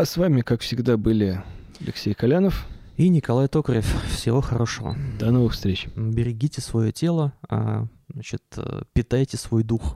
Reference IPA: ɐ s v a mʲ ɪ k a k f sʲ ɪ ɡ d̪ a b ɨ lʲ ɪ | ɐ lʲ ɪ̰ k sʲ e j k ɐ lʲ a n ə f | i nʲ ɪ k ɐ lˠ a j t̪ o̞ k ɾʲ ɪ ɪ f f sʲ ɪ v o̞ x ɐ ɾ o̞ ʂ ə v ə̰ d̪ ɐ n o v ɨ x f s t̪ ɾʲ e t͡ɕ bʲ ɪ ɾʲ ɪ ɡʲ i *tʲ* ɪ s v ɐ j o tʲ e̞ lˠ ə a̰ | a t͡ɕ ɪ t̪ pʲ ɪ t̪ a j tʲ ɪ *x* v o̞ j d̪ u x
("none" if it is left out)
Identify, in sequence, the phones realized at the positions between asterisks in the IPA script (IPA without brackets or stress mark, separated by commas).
tʲ, s